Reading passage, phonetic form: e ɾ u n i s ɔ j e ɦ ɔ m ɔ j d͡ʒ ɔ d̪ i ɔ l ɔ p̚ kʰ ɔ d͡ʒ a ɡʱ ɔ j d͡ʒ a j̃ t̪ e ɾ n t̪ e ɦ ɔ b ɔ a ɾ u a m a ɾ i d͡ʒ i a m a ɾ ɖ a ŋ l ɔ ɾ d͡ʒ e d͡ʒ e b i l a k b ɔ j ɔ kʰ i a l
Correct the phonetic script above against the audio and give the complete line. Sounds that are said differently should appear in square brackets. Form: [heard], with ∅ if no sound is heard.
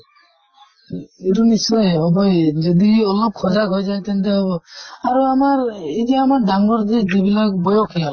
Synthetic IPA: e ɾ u n i s ɔ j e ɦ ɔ [b] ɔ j d͡ʒ ɔ d̪ i ɔ l ɔ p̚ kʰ ɔ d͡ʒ a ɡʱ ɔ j d͡ʒ a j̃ t̪ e [∅] n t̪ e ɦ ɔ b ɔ a ɾ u a m a ɾ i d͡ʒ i a m a ɾ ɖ a ŋ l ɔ ɾ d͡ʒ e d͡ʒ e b i l a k b ɔ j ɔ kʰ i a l

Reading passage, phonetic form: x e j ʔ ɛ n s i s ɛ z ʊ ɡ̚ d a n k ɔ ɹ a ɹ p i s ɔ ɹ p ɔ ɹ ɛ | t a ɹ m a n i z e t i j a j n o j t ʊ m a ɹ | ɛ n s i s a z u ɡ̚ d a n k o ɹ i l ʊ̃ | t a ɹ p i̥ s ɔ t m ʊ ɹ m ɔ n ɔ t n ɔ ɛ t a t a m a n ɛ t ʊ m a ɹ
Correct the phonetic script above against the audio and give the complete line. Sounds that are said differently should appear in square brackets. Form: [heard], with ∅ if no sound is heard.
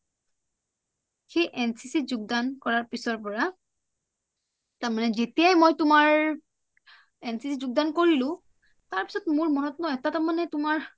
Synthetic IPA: x e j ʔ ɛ n s i s [i] z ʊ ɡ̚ d a n k ɔ ɹ a ɹ p i s ɔ ɹ p ɔ ɹ [a] | t a ɹ m a n [ɛ] z e t i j a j [m] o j t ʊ m a ɹ | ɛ n s i s [i] z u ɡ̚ d a n k o ɹ i l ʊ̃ | t a ɹ p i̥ s ɔ t m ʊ ɹ m ɔ n ɔ t n ɔ ɛ t a t a m a n ɛ t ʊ m a ɹ

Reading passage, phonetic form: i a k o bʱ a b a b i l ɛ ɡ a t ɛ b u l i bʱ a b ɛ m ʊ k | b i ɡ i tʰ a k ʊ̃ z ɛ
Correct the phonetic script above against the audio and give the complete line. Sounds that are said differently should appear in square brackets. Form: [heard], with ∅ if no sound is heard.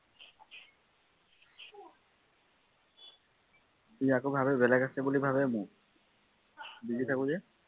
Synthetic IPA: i a k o bʱ a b [ɛ] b [ɛ] l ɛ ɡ a [s] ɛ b u l i bʱ a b ɛ m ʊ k | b i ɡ i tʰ a k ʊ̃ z ɛ

